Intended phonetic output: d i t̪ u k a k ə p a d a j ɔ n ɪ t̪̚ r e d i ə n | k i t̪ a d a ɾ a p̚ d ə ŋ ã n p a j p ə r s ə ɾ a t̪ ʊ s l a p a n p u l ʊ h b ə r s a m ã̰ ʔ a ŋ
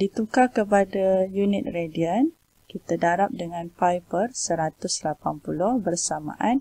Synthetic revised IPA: d i t̪ u k a k ə p a d a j u n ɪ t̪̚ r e d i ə n | k i t̪ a d a ɾ a p̚ d ə ŋ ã n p a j p ə r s ə ɾ a t̪ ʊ s l a p a n p u l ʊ h b ə r s a m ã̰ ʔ a n